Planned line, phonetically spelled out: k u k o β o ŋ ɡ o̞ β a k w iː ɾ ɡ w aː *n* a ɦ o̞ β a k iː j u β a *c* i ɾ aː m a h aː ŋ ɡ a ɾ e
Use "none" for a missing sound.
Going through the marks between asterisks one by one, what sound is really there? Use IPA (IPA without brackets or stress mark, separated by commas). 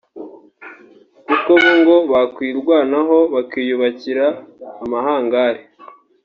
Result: n, c